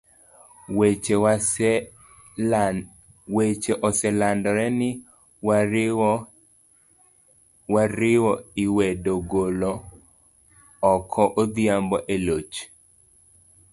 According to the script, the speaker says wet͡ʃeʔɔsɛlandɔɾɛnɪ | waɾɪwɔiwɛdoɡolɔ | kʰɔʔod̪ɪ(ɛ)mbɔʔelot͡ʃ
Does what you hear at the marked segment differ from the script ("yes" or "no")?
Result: yes